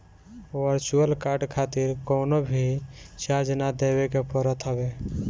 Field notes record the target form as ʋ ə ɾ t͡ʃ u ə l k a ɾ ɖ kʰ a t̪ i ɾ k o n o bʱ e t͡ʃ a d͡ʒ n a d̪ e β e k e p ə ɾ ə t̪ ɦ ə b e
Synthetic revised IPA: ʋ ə ɾ t͡ʃ u ə l k a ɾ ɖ kʰ a t̪ i ɾ k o n o bʱ i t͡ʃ a d͡ʒ n a d̪ e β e k e p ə ɾ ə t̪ ɦ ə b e